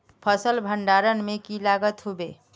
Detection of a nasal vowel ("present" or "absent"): absent